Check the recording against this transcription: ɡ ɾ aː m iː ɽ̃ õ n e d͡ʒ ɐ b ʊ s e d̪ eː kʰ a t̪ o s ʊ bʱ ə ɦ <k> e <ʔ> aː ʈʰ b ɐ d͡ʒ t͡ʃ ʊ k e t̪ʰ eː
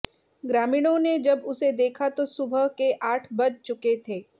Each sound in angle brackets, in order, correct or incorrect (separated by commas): correct, correct